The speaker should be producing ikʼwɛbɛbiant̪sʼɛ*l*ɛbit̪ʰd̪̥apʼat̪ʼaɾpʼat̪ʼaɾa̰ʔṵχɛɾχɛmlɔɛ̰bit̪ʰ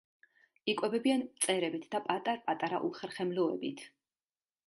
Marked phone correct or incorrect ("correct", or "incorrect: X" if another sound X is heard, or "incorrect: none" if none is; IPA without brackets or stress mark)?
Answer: incorrect: ɾ